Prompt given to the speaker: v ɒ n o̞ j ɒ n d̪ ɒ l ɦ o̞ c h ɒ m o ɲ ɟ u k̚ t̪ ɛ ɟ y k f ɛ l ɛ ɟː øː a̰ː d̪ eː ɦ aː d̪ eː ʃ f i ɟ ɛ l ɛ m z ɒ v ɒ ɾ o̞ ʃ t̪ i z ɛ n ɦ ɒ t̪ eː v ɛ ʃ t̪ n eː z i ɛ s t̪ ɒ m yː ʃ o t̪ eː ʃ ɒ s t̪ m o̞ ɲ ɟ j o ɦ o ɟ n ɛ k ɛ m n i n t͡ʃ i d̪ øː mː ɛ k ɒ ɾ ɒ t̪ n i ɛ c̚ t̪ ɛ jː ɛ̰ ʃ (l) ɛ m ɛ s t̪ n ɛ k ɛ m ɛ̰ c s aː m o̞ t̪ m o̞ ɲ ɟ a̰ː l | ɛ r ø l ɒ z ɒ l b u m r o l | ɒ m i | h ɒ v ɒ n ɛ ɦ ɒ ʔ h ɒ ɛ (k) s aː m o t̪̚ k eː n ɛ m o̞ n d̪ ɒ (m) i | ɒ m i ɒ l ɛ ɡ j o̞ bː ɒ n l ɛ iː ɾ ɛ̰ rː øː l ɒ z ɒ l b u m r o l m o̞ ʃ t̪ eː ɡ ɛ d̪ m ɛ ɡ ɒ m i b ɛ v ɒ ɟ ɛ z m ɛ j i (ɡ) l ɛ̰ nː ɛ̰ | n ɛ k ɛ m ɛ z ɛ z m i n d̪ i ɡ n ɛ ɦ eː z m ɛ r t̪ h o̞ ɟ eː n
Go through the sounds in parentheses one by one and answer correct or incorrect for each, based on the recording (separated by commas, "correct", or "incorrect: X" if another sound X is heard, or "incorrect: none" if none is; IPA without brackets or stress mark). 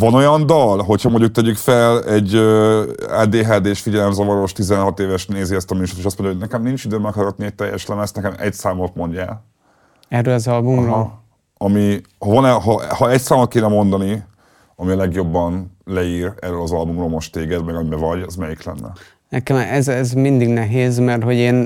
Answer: correct, incorrect: c, incorrect: n, incorrect: k